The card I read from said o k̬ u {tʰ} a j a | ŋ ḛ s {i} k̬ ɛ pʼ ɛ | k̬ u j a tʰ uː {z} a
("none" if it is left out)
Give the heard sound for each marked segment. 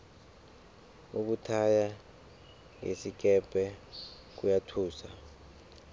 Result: tʰ, i, s

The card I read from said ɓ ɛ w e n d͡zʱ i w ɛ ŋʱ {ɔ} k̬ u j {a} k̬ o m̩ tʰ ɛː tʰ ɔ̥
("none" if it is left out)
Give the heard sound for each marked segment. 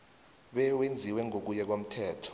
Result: o, ɛ

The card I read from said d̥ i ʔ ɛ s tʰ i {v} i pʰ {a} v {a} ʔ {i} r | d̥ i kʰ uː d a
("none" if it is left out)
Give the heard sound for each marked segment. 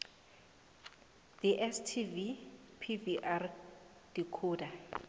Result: v, i, i, a

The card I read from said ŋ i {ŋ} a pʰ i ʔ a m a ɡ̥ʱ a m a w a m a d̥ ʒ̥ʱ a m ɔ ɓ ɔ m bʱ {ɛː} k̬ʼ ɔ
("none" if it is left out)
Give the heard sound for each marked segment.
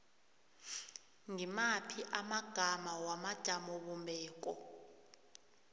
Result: m, ɛː

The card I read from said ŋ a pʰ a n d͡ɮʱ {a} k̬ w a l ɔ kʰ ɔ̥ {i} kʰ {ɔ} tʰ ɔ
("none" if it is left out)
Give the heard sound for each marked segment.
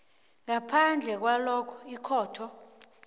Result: ɛ, i, ɔː

